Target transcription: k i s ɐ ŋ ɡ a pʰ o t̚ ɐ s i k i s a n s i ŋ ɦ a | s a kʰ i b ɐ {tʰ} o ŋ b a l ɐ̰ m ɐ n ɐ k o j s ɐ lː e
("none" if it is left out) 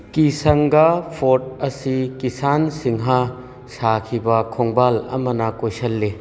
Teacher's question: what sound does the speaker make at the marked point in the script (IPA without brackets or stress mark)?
kʰ